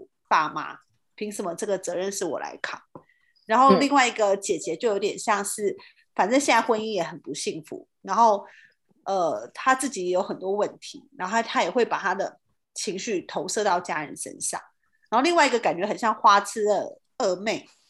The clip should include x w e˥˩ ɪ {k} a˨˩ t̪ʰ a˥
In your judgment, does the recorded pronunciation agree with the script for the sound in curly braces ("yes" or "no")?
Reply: no